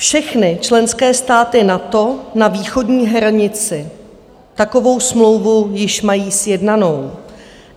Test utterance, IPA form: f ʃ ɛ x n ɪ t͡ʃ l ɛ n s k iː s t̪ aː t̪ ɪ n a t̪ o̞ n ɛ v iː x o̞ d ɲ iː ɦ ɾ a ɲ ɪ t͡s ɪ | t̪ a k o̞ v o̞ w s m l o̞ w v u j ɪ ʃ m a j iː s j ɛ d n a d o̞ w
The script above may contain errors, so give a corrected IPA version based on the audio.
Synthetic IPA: f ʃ ɛ x n ɪ t͡ʃ l ɛ n s k ɛː s t̪ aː t̪ ɪ n a t̪ o̞ n a v iː x o̞ d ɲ iː ɦ ɾ a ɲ ɪ t͡s ɪ | t̪ a k o̞ v o̞ w s m l o̞ w v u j ɪ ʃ m a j iː s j ɛ d n a n o̞ w